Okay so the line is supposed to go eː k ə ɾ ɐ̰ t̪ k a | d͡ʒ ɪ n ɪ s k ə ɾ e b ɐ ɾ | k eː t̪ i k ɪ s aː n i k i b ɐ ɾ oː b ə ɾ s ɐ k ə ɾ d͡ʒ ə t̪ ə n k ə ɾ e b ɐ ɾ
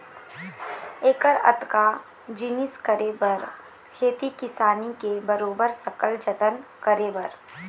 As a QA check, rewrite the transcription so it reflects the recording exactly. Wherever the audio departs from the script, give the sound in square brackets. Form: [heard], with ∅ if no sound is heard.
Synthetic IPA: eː k ə ɾ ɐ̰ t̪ k a | d͡ʒ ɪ n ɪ s k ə ɾ e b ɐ ɾ | [kʰ] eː t̪ i k ɪ s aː n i k [e] b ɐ ɾ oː b ə ɾ s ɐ k ə [l] d͡ʒ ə t̪ ə n k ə ɾ e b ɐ ɾ

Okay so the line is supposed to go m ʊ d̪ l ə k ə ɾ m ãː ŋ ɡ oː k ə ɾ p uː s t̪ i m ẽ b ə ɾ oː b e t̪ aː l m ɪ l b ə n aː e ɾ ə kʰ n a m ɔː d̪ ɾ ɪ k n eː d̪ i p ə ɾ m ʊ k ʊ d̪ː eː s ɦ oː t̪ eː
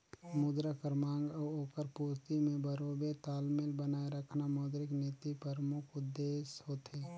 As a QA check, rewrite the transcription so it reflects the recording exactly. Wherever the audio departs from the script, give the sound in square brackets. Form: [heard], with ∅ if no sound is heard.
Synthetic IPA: m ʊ d̪ [ɾ] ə k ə ɾ m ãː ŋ ɡ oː k ə ɾ p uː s t̪ i m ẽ b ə ɾ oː b e t̪ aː l m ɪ l b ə n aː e ɾ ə kʰ n a m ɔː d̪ ɾ ɪ k n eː [t̪] i p ə ɾ m ʊ [kʰ] ʊ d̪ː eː s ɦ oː t̪ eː

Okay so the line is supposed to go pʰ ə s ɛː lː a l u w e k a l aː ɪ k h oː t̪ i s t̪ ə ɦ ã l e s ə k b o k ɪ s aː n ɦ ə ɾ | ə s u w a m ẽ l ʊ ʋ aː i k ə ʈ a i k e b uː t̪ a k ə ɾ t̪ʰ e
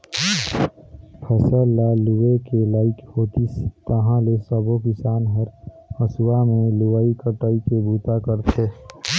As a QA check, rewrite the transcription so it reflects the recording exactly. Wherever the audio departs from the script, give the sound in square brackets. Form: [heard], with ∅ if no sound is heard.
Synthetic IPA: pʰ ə s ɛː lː a l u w e k [e] l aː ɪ k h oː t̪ i s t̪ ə ɦ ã l e s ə [∅] b o k ɪ s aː n ɦ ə ɾ | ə s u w a m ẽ l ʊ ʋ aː i k ə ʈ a i k e b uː t̪ a k ə ɾ t̪ʰ e

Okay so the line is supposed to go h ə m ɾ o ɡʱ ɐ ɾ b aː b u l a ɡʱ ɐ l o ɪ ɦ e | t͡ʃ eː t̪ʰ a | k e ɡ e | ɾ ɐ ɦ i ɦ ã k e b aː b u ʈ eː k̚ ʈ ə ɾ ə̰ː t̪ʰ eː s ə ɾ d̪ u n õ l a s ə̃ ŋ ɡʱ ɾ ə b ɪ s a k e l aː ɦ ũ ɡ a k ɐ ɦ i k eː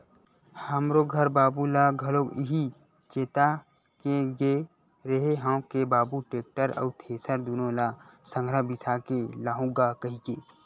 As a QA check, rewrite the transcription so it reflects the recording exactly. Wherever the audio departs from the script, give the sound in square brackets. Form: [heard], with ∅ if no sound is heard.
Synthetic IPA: h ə m ɾ o ɡʱ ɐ ɾ b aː b u l a ɡʱ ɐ l o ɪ ɦ [i] | t͡ʃ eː [t̪] a | k e ɡ e | ɾ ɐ ɦ [e] ɦ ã k e b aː b u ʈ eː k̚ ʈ ə ɾ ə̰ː t̪ʰ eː s ə ɾ d̪ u n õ l a s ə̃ ŋ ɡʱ ɾ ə b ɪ s a k e l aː ɦ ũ ɡ a k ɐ ɦ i k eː

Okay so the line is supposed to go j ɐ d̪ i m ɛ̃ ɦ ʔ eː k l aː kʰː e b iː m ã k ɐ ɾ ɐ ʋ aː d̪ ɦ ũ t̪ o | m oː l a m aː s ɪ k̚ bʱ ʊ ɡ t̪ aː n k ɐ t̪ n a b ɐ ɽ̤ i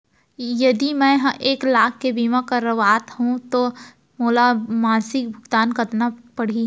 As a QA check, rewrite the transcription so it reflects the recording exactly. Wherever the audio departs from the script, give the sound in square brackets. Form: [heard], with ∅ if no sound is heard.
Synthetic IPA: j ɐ d̪ i m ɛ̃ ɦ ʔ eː k l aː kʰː e b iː m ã k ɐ ɾ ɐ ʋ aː [t̪] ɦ ũ t̪ o | m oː l a m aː s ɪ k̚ bʱ ʊ ɡ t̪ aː n k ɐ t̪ n a [p] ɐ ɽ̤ i

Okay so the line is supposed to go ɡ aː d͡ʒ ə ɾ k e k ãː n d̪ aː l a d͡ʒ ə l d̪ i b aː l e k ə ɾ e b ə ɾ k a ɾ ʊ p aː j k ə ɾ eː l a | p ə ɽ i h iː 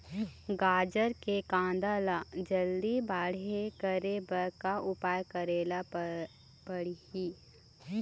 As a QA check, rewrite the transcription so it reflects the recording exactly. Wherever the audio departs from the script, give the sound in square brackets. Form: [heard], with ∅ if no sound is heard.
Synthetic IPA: ɡ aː d͡ʒ ə ɾ k e k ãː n d̪ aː l a d͡ʒ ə l d̪ i b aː [ɽ] e k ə ɾ e b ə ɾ k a [∅] ʊ p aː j k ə ɾ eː l a | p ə ɽ i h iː

